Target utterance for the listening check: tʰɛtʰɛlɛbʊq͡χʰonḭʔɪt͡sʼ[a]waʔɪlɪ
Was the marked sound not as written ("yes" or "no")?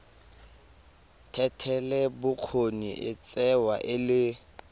yes